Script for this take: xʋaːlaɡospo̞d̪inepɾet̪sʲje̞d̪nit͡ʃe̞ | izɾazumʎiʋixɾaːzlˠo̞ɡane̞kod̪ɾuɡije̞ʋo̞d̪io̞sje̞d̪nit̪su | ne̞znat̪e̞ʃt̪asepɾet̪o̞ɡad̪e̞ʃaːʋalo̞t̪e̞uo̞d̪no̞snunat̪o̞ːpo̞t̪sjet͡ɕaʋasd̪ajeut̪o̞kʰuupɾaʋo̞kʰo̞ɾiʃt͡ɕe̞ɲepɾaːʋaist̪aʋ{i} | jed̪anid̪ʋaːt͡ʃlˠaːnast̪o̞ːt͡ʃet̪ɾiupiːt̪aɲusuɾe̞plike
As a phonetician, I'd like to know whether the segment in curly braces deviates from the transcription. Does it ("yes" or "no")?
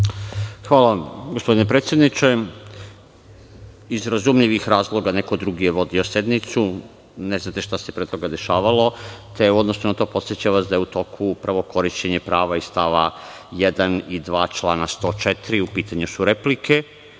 yes